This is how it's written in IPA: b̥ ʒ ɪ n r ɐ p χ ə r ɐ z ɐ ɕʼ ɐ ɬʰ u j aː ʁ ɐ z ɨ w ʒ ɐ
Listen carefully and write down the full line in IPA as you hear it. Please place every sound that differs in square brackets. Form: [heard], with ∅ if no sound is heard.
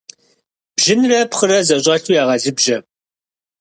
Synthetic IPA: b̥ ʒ ɪ n r ɐ p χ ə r ɐ z ɐ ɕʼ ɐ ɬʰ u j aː ʁ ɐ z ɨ [b] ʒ ɐ